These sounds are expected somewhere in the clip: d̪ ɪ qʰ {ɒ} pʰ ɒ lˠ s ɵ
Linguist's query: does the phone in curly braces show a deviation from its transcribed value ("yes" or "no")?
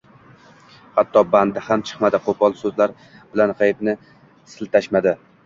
yes